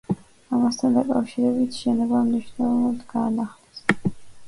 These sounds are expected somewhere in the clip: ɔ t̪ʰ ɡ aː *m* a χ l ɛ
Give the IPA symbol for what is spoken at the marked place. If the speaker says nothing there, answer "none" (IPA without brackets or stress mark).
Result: n